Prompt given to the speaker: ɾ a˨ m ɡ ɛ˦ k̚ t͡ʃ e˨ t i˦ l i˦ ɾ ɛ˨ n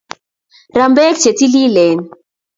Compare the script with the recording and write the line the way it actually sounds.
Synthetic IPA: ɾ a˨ m b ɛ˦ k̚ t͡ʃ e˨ t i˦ l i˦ l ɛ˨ n